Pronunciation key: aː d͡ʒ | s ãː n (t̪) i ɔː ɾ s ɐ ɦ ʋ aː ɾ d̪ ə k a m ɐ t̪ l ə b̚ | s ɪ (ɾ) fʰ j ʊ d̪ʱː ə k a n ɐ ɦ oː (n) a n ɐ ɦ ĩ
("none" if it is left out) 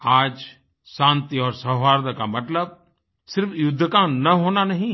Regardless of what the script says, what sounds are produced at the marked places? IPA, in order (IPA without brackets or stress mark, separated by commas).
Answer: t̪, ɾ, n